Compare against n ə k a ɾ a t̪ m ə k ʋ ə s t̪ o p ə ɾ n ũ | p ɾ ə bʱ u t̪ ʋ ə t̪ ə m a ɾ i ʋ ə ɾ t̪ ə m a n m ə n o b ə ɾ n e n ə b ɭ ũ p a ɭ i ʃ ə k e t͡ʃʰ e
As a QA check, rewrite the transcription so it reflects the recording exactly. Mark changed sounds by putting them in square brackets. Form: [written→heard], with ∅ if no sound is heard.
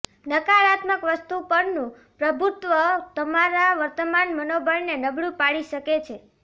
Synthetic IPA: n ə k a ɾ a t̪ m ə k ʋ ə s t̪ [o→u] p ə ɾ n ũ | p ɾ ə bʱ u t̪ ʋ ə t̪ ə m a ɾ [i→a] ʋ ə ɾ t̪ ə m a n m ə n o b ə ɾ n e n ə b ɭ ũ p a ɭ i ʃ ə k e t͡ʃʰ e

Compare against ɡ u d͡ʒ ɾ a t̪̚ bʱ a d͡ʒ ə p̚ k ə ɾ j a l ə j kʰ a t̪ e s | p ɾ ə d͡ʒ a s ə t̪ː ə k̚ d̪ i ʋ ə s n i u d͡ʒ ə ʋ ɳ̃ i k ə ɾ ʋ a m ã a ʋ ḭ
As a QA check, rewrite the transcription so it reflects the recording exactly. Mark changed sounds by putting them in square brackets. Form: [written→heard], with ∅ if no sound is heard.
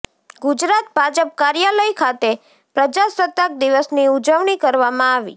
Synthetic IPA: ɡ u d͡ʒ ɾ a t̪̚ bʱ a d͡ʒ ə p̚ k [ə→a] ɾ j a l ə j kʰ a t̪ e [s→∅] | p ɾ ə d͡ʒ a s ə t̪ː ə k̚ d̪ i ʋ ə s n i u d͡ʒ ə ʋ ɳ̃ i k ə ɾ ʋ a m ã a ʋ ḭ

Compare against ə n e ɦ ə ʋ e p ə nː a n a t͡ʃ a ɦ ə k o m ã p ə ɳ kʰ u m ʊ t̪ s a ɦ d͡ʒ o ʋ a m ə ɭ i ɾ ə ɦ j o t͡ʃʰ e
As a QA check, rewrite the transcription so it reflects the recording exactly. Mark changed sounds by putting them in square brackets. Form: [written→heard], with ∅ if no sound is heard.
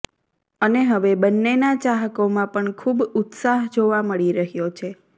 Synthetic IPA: ə n e ɦ ə ʋ e [p→b] ə nː [a→e] n a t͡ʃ a ɦ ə k o m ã p ə ɳ kʰ u [m→b] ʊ t̪ s a ɦ d͡ʒ o ʋ a m ə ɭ i ɾ ə ɦ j o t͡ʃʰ e

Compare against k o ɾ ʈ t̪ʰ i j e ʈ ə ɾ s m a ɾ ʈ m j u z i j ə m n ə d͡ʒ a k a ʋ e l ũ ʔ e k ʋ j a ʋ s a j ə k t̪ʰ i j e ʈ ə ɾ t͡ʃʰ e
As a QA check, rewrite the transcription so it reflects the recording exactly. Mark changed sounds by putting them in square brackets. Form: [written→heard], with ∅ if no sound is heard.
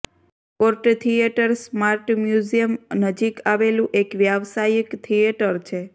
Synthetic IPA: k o ɾ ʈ t̪ʰ i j e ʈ ə ɾ s m a ɾ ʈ m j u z i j ə m n ə d͡ʒ [a→i] k a ʋ e l ũ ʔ e k ʋ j a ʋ s a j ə k t̪ʰ i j e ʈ ə ɾ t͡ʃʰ e

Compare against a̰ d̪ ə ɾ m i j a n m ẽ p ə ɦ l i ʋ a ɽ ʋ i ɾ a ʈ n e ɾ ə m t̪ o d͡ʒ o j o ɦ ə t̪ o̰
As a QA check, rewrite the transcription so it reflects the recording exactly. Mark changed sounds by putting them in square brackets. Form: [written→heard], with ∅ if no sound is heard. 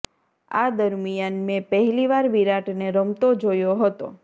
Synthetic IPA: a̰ d̪ ə ɾ m i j a n m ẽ p ə ɦ l i ʋ a [ɽ→ɾ] ʋ i ɾ a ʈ n e ɾ ə m t̪ o d͡ʒ o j o ɦ ə t̪ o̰

